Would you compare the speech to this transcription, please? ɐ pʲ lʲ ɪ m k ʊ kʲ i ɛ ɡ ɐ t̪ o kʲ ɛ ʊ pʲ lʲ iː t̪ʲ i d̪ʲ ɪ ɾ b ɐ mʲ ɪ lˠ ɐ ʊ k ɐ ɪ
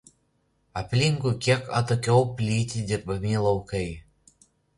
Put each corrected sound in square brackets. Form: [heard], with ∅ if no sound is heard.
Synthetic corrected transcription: ɐ pʲ lʲ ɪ [ŋ] k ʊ kʲ i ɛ [k] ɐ t̪ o kʲ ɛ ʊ pʲ lʲ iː t̪ʲ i d̪ʲ ɪ ɾ b ɐ mʲ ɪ lˠ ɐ ʊ k ɐ ɪ